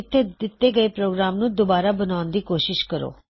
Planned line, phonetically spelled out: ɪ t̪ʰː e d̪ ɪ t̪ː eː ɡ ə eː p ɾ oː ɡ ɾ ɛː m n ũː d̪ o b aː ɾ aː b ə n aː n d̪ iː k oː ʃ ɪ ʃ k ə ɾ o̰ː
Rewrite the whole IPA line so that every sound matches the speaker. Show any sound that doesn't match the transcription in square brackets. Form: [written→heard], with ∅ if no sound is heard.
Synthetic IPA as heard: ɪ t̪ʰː e d̪ ɪ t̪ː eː ɡ ə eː p ɾ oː ɡ ɾ [ɛː→aː] m n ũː d̪ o b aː ɾ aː b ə n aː n d̪ iː k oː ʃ ɪ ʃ k ə ɾ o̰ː